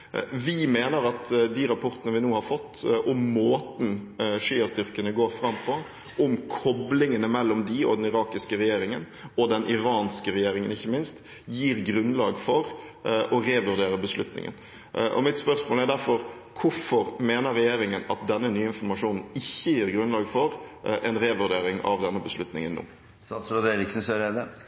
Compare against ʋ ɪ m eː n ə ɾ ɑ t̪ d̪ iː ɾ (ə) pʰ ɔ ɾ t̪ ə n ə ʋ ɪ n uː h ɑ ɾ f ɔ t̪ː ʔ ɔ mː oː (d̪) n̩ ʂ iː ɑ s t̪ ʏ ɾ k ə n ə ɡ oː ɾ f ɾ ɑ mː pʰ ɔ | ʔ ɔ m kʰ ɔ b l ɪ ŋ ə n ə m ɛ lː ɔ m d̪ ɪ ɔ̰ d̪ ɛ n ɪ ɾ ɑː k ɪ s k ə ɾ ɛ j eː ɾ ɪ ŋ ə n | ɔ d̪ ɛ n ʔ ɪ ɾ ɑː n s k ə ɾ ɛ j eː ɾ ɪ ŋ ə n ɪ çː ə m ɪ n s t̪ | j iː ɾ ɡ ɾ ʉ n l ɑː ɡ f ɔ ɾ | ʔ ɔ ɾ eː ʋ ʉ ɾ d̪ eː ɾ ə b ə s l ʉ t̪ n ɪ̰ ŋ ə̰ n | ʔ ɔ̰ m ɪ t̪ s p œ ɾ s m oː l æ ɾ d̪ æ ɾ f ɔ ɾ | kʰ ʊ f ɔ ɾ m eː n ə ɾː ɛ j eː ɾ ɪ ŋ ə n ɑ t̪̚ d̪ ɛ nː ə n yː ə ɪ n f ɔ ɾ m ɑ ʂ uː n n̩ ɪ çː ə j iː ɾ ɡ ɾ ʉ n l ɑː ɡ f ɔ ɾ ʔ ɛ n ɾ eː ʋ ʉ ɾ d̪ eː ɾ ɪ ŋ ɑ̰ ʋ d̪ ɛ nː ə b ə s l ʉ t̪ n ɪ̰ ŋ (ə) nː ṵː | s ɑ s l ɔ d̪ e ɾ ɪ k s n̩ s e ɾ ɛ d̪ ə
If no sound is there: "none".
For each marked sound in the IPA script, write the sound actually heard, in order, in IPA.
ɑ, t̪, ə

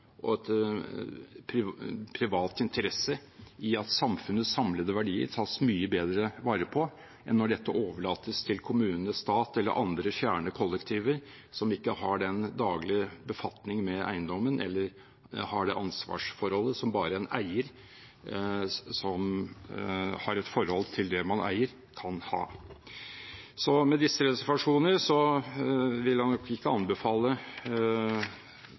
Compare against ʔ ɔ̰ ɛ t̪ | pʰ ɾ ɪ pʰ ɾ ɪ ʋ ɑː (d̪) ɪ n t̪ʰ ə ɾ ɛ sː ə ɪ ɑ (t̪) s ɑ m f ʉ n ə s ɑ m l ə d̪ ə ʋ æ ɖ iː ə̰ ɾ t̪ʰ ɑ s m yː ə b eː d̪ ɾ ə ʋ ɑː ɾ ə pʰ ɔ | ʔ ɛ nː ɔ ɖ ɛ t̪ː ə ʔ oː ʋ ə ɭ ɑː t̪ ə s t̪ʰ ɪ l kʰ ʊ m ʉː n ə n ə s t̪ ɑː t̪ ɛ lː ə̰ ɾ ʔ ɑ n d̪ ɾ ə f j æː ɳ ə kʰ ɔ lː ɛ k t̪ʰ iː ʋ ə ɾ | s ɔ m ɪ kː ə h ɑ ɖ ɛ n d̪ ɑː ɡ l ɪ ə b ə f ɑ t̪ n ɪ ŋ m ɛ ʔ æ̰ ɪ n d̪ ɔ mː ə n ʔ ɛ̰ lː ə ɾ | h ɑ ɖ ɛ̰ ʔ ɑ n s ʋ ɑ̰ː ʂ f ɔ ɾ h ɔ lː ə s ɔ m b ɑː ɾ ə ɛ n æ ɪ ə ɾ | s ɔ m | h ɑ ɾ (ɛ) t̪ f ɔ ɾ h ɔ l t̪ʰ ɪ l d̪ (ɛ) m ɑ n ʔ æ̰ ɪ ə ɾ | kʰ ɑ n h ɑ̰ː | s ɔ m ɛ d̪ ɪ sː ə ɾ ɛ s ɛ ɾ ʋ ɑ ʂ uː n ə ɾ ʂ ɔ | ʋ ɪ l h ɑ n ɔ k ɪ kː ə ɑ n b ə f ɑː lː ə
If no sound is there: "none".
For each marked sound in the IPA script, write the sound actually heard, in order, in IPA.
t̪, t̪, ɛ, ɛ

